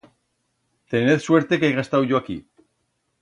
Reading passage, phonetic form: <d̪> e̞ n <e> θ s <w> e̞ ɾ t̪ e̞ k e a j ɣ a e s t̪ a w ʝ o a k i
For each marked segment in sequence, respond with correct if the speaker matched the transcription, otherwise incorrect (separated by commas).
incorrect, correct, correct